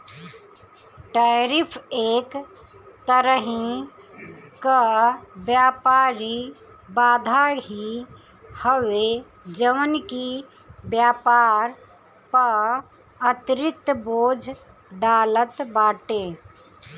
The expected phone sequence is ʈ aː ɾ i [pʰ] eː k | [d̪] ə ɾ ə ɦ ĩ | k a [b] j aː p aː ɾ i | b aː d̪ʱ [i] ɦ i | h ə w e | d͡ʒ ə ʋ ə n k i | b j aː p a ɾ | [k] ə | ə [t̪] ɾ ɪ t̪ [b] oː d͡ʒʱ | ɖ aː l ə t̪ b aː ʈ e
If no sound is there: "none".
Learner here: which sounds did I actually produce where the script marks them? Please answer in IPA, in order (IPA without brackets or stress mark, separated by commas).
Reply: pʰ, t̪, b, a, p, t̪, b